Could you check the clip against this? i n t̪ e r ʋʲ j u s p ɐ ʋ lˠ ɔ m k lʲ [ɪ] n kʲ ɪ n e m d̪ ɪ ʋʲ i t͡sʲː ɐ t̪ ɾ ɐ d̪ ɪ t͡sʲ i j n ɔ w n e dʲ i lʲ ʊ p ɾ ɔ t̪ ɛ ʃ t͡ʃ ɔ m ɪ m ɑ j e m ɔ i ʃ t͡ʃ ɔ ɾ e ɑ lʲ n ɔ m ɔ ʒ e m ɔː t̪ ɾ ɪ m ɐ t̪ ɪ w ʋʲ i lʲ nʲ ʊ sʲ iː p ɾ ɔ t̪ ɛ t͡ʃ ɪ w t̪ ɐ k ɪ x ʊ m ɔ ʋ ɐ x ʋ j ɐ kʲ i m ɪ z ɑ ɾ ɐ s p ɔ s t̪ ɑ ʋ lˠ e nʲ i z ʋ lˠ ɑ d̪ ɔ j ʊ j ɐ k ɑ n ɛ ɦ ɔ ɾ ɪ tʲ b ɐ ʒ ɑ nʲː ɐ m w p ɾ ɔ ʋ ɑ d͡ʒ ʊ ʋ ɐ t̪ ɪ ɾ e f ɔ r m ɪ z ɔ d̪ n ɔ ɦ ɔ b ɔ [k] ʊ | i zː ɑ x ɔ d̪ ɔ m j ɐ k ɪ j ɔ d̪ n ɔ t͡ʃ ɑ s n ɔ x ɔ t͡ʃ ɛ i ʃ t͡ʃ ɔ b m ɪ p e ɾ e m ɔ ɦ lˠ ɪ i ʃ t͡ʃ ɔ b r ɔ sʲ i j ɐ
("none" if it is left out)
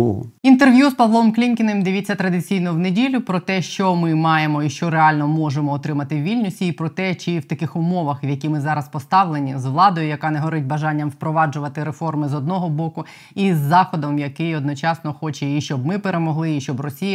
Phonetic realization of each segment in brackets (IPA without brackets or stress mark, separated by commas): i, k